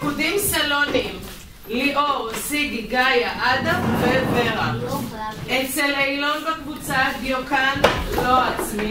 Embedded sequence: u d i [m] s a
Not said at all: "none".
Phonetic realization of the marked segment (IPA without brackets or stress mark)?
m